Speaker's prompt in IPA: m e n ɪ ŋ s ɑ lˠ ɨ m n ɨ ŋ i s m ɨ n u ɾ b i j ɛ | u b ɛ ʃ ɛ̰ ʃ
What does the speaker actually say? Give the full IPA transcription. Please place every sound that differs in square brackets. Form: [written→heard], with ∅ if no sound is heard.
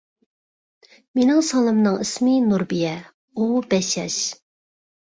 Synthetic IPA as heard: m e n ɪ ŋ s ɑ lˠ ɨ m n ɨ ŋ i s m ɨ n u ɾ b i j ɛ | u b ɛ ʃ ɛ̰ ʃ

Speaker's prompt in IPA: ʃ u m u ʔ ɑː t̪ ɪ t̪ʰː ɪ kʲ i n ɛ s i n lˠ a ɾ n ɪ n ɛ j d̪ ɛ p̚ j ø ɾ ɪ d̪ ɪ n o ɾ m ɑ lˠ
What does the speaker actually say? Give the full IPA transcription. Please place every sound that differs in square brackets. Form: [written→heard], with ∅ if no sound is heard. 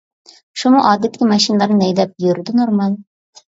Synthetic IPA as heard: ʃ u m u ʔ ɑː [t̪→d̪] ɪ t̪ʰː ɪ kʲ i [n→m] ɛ [s→ʃ] i n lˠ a ɾ n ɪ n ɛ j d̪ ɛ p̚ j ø ɾ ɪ d̪ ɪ n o ɾ m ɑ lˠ

